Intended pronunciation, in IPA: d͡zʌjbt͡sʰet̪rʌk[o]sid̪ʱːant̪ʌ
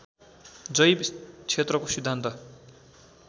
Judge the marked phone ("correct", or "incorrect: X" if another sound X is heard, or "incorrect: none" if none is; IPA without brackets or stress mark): correct